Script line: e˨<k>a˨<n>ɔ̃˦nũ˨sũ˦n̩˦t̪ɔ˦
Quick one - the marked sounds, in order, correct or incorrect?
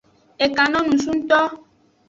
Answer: correct, correct

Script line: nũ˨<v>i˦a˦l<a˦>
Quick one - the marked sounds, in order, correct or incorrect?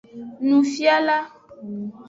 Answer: incorrect, correct

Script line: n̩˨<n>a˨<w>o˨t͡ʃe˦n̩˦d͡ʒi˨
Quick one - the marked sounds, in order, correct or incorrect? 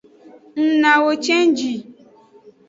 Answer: correct, correct

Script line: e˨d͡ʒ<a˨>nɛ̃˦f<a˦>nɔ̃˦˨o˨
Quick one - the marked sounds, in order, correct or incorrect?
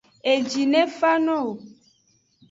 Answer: incorrect, correct

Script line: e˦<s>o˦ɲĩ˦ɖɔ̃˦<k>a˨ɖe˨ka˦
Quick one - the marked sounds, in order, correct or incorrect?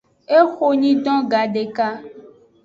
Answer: incorrect, incorrect

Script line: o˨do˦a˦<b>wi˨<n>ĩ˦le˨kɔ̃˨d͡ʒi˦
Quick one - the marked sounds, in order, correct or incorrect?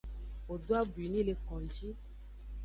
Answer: correct, correct

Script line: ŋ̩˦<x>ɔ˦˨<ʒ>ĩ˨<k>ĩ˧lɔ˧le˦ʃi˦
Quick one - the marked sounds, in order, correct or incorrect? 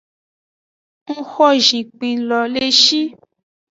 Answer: correct, correct, incorrect

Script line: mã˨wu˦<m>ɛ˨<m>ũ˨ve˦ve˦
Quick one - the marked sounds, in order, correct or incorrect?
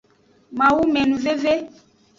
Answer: correct, incorrect

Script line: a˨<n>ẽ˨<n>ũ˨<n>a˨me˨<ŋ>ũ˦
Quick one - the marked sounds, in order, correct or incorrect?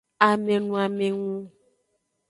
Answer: incorrect, correct, incorrect, correct

